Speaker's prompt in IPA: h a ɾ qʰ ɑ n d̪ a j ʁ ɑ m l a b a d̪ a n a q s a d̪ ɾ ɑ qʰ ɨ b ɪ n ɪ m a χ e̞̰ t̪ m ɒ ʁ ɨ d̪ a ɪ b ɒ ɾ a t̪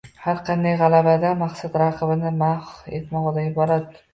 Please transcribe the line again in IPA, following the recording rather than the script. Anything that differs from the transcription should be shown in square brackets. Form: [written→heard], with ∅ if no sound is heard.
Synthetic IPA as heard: h a ɾ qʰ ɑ n d̪ a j ʁ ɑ [m→∅] l a b a d̪ a [n→m] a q s a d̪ ɾ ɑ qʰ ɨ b ɪ n ɪ m a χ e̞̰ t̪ m ɒ ʁ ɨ d̪ a ɪ b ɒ ɾ a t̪